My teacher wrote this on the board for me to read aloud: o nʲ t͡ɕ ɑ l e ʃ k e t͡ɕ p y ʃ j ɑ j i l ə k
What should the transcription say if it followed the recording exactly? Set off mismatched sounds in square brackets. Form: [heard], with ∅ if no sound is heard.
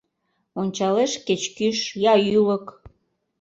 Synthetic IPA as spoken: o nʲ t͡ɕ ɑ l e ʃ k e t͡ɕ [k] y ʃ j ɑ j [y] l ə k